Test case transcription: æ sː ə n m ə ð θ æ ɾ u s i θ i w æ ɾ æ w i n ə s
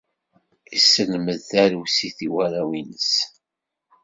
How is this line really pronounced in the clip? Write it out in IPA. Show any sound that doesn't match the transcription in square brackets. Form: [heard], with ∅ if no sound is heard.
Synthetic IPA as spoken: [i] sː ə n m ə ð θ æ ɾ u s i θ i w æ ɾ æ w i n ə s